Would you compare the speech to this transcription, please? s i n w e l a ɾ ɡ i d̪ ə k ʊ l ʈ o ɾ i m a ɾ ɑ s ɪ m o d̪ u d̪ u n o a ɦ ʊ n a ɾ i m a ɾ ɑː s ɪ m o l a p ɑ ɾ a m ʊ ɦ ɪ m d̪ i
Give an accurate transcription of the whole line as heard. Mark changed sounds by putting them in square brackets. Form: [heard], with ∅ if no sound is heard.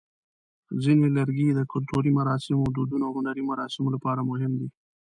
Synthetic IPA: [z] i n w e l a ɾ ɡ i d̪ ə k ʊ l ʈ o ɾ i m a ɾ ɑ s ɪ m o d̪ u d̪ u n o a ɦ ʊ n a ɾ i m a ɾ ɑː s ɪ m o l a p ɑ ɾ a m ʊ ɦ ɪ m d̪ i